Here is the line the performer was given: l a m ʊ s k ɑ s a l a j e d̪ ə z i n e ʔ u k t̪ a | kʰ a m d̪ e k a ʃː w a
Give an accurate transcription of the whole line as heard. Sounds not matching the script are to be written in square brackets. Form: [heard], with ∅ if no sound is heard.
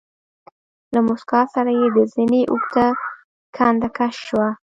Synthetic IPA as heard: l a m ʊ s k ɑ s a [ɾ] a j e d̪ ə z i n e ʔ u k t̪ a | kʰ a [n] d̪ [a] k a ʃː w a